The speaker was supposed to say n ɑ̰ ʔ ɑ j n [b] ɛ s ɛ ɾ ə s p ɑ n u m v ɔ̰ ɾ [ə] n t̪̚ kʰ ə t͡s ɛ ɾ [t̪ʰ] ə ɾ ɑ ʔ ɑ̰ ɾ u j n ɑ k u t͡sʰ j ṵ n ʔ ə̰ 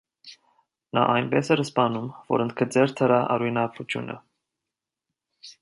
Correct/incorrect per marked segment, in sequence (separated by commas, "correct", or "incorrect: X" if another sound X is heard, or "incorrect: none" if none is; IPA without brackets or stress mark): correct, correct, correct